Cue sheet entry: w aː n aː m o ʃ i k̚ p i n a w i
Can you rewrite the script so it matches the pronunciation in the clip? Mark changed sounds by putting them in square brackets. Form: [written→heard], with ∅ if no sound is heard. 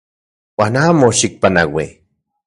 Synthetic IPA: w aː n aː m o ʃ i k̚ p [i→a] n a w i